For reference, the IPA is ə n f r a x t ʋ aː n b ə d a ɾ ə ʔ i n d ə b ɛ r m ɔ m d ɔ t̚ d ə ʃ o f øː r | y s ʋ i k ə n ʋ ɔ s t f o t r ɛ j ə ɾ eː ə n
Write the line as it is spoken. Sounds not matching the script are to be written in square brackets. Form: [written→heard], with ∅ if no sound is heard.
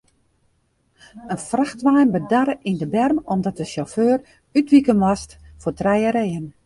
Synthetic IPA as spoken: ə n f r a x t ʋ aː n b ə d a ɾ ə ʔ i n d ə b ɛ r m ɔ m d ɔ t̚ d ə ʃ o f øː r | y [s→t] ʋ i k ə n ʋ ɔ s t f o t r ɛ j ə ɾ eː ə n